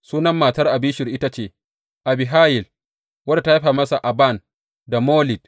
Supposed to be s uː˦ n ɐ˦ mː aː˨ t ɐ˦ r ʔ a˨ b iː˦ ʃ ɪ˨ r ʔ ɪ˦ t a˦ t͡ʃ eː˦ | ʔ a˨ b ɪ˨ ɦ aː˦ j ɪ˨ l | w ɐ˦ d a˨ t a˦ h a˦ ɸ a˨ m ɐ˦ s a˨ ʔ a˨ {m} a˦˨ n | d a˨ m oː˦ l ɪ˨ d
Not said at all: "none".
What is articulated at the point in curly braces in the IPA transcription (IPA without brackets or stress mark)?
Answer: b